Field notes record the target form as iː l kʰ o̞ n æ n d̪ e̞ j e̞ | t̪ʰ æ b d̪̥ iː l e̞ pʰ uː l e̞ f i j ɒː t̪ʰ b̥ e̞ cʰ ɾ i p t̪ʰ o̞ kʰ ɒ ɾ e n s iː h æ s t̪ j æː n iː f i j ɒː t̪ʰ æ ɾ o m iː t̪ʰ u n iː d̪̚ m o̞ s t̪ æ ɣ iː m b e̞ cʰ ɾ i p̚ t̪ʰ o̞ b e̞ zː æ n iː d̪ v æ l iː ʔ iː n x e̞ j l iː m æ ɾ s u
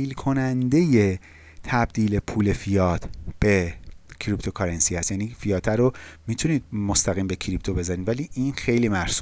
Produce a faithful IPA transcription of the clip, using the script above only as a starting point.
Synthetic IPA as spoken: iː l kʰ o̞ n æ n d̪ e̞ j e̞ | t̪ʰ æ b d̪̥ iː l e̞ pʰ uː l e̞ f i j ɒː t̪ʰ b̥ e̞ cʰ ɾ i p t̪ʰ o̞ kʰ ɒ ɾ e n s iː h æ s t̪ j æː n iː f i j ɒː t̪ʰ æ ɾ o m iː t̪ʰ u n iː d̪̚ m o̞ s t̪ æ ɣ iː m b e̞ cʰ ɾ i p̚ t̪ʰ o̞ b e̞ z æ n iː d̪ v æ l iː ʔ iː n x e̞ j l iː m æ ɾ s u